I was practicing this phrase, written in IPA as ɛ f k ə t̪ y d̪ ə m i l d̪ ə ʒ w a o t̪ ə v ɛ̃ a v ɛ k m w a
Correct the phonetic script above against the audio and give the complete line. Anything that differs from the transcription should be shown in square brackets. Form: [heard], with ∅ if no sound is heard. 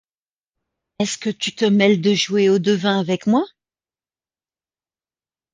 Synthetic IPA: ɛ [s] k ə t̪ y [t̪] ə m [ɛ] l d̪ ə ʒ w [e] o [d̪] ə v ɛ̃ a v ɛ k m w a